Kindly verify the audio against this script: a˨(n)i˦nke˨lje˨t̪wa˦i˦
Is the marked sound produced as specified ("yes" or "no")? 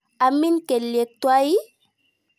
no